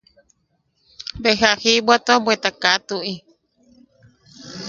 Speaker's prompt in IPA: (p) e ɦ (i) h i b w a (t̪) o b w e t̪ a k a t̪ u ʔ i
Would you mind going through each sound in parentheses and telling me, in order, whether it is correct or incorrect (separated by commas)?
incorrect, incorrect, correct